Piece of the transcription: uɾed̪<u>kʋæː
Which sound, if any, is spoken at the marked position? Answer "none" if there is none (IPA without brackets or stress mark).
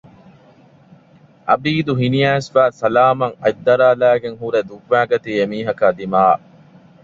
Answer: u